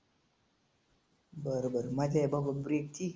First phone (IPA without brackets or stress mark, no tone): b